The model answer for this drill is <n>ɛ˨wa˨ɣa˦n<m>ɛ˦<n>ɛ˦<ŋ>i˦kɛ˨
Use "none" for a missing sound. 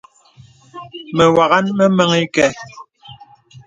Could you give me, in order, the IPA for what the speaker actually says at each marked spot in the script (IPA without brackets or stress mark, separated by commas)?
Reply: m, m, m, ŋ